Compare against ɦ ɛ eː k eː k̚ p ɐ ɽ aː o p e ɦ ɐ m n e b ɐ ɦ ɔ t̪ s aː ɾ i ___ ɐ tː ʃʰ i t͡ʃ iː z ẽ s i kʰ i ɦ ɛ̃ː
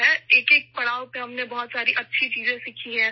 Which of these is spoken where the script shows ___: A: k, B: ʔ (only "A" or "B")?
B